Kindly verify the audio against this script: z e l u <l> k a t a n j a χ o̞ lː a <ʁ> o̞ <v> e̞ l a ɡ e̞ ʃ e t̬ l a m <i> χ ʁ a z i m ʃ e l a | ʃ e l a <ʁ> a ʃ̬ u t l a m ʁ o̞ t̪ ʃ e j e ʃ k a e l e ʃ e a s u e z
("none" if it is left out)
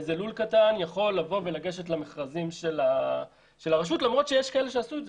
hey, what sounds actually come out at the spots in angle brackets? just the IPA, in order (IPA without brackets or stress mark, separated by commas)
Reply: l, v, v, e, ʁ